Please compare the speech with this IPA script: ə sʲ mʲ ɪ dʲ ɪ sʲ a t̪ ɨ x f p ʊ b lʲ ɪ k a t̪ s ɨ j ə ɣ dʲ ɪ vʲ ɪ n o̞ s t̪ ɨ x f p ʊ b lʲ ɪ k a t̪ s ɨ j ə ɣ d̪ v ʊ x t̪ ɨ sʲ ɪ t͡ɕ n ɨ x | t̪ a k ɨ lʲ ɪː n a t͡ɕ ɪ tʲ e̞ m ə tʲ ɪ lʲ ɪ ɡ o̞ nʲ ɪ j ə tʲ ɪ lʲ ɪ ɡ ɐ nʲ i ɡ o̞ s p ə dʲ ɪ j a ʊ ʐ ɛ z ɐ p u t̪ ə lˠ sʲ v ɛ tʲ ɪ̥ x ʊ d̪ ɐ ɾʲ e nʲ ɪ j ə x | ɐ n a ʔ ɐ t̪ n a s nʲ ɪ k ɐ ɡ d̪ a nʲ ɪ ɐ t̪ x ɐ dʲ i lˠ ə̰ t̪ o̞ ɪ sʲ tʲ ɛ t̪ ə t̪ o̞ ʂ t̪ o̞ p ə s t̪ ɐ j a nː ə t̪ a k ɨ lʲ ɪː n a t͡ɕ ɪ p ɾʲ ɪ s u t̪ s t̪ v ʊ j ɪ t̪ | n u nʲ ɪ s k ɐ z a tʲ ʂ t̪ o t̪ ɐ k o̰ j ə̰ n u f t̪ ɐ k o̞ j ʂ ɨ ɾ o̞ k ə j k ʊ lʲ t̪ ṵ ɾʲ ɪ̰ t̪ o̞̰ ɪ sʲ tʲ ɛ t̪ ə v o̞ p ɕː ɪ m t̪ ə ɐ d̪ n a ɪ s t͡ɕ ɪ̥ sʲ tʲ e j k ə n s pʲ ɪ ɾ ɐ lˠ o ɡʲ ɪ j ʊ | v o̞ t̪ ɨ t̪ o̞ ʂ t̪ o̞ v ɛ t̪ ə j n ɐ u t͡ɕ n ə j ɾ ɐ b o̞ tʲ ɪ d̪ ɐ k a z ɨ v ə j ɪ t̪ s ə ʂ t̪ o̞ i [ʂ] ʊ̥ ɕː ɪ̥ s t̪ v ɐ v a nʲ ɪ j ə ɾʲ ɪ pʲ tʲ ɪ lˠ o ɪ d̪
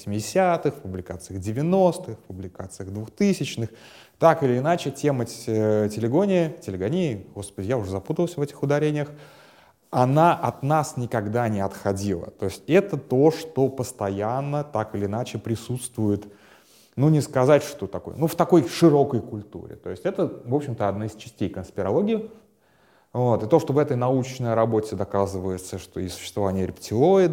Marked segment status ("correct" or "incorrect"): incorrect